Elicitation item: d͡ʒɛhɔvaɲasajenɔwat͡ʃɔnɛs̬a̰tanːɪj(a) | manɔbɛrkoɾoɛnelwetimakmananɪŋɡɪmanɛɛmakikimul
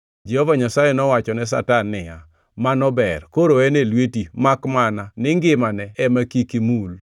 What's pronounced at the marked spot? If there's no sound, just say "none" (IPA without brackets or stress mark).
a